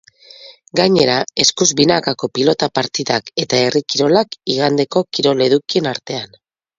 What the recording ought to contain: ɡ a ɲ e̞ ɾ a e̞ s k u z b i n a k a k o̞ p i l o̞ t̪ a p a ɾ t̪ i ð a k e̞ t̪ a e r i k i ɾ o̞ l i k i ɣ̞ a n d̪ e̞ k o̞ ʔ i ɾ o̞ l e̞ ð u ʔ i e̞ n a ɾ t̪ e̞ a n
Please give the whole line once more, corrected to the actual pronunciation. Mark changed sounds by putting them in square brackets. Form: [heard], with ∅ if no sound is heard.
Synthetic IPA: ɡ a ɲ e̞ ɾ a e̞ s k u z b i n a k a k o̞ p i l o̞ t̪ a p a ɾ t̪ i ð a k e̞ t̪ a e r i k i ɾ o̞ l [a] k i ɣ̞ a n d̪ e̞ k o̞ [k] i ɾ o̞ l e̞ ð u [k] i e̞ n a ɾ t̪ e̞ a n